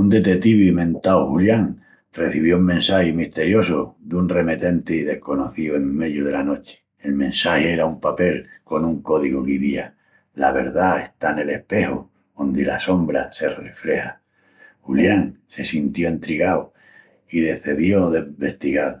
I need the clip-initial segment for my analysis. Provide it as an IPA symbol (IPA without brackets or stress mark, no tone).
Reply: u